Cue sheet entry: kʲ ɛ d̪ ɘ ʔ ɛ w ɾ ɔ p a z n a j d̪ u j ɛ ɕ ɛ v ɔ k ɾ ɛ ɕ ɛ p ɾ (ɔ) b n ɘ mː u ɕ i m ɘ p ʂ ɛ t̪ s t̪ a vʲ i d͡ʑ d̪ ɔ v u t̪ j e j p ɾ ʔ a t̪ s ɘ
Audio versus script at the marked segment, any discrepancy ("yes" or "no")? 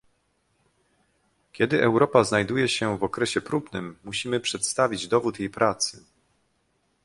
yes